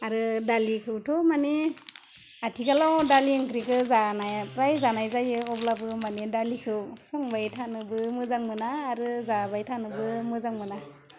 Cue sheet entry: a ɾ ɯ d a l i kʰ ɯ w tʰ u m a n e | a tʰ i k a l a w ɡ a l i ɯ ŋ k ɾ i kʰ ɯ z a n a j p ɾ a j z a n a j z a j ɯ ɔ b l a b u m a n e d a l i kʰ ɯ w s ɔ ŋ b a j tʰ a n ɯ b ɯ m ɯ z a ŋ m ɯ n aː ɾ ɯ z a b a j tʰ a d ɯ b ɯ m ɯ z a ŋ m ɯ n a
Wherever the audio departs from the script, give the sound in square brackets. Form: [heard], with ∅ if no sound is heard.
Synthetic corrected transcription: a ɾ ɯ d a l i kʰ ɯ w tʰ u m a n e | a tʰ i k a l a w [d] a l i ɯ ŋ k ɾ i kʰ ɯ z a n a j p ɾ a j z a n a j z a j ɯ ɔ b l a b [ɯ] m a n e d a l i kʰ ɯ w s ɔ ŋ b a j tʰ a n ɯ b ɯ m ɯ z a ŋ m ɯ n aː ɾ ɯ z a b a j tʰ a [n] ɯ b ɯ m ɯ z a ŋ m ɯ n a